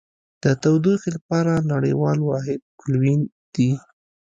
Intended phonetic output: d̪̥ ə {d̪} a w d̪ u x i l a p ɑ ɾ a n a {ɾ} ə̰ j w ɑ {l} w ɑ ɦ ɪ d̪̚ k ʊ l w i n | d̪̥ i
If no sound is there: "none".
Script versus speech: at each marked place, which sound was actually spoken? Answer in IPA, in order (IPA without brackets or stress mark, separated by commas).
t̪, ɽ, l